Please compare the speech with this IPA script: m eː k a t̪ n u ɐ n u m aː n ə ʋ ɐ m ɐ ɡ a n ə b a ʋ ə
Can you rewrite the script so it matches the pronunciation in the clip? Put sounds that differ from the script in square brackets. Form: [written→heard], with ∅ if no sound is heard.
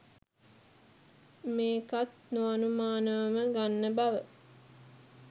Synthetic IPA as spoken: m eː k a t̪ n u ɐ n u m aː n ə ʋ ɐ m [ɐ→ə] ɡ a [n→nː] ə b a ʋ ə